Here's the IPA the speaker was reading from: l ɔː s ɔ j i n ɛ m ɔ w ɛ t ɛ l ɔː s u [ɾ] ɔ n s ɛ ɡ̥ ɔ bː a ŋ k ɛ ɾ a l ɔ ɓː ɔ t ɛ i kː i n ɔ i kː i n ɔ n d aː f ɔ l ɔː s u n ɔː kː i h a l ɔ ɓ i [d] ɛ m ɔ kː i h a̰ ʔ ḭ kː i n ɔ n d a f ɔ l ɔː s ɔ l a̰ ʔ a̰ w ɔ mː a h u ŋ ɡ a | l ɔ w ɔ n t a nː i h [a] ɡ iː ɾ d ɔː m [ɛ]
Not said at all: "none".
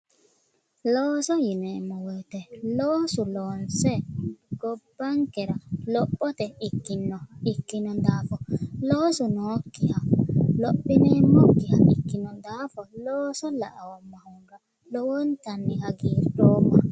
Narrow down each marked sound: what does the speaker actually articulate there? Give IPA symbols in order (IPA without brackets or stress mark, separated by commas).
l, n, a, a